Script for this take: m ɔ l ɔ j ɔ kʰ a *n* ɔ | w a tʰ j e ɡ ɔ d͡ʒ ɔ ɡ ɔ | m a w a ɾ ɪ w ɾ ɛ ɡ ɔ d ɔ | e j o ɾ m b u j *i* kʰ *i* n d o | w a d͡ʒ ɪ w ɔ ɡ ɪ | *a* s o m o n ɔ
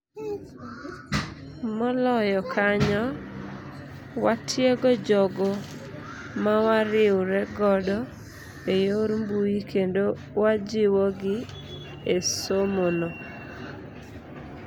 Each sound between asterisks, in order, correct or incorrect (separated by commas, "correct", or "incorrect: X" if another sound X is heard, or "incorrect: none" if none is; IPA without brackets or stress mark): incorrect: ɲ, correct, incorrect: e, incorrect: e